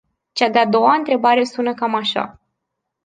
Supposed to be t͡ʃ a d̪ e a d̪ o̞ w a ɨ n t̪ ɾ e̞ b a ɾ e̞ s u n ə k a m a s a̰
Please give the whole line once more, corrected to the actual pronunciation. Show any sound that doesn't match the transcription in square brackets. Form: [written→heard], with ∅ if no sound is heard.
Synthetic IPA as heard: t͡ʃ a d̪ e a d̪ o̞ w a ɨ n t̪ ɾ e̞ b a ɾ e̞ s u n ə k a m a [s→ʃ] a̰